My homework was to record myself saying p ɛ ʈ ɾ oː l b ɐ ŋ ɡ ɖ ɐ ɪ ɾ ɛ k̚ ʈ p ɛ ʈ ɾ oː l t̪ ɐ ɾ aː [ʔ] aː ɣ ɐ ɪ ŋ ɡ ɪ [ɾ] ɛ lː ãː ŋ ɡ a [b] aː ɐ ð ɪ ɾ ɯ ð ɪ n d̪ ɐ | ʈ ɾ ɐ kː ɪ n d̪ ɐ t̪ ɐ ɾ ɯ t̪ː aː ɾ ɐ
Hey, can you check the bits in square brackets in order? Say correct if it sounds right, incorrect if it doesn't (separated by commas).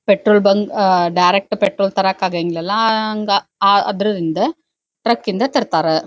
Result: incorrect, incorrect, incorrect